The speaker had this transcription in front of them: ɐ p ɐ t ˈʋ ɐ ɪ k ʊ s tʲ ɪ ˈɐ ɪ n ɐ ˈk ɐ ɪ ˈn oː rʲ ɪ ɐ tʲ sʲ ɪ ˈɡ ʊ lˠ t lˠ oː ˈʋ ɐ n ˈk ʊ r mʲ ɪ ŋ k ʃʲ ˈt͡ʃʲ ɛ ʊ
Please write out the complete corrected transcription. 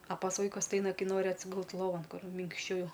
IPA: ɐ p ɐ s ˈʋ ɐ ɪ k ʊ s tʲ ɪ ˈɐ ɪ n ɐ ˈk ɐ ɪ ˈn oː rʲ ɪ ɐ tʲ sʲ ɪ ˈɡ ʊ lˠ t lˠ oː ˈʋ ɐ n ˈk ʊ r mʲ ɪ ŋ k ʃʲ ˈt͡ʃʲ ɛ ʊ